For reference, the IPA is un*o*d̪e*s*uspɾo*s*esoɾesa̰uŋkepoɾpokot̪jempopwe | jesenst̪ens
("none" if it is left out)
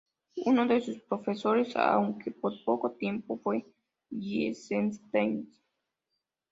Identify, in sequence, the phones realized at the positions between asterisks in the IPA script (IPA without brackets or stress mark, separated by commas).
o, s, f